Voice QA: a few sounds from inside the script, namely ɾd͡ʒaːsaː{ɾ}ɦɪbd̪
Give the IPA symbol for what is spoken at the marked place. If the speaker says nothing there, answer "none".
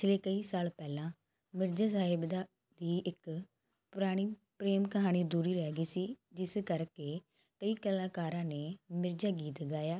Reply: none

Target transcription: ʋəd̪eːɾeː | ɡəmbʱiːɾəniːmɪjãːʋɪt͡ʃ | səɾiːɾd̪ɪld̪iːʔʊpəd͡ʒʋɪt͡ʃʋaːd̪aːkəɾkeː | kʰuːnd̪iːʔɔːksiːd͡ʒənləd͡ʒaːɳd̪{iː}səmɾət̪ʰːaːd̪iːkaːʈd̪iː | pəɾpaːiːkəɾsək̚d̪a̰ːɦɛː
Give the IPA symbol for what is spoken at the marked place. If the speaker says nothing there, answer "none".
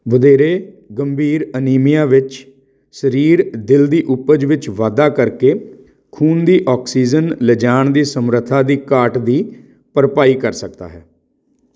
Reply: iː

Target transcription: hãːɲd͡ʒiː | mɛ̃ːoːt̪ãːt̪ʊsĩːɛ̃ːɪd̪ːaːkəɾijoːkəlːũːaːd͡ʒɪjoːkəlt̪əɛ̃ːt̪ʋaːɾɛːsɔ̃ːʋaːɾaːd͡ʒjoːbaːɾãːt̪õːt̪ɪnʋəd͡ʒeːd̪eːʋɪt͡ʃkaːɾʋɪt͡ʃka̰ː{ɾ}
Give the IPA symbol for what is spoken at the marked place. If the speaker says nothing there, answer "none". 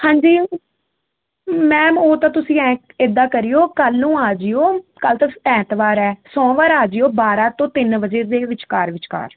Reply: ɾ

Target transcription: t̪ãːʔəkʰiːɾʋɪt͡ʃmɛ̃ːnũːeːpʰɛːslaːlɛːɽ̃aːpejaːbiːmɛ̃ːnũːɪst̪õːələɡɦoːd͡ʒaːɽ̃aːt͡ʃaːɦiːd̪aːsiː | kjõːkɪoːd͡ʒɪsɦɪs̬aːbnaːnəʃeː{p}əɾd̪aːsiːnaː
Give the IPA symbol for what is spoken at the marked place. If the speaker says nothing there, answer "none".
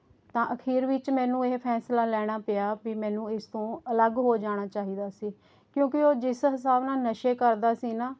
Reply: k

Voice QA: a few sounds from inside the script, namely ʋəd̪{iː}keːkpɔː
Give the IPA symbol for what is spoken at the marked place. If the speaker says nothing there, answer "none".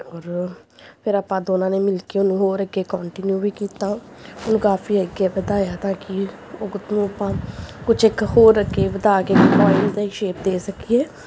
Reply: aː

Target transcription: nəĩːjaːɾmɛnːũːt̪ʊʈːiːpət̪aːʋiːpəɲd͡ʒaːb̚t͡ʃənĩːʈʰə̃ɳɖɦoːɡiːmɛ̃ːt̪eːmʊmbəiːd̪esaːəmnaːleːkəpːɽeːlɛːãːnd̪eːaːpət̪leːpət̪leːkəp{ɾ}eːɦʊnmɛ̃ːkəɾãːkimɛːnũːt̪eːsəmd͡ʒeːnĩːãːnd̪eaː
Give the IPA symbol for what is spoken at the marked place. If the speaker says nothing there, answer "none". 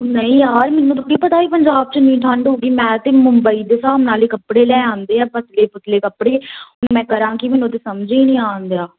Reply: ɽ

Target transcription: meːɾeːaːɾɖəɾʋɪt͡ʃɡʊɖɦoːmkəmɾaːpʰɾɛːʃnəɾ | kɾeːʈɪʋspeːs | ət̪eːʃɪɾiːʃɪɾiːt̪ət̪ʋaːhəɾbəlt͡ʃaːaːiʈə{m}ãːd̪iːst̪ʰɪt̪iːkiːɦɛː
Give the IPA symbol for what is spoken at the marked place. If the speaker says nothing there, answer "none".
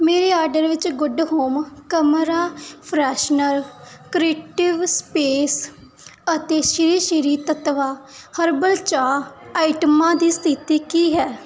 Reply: m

